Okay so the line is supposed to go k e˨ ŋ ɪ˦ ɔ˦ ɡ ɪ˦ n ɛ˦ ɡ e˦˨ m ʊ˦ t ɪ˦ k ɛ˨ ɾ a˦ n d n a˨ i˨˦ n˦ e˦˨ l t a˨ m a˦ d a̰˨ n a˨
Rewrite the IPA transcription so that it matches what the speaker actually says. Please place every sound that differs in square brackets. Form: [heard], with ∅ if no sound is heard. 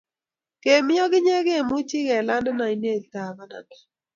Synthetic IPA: k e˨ [m] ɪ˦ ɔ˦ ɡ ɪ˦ [ɲ] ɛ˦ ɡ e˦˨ m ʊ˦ [t͡ʃ] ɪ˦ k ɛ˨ [l] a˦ n d n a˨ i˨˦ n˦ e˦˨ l t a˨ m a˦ [n] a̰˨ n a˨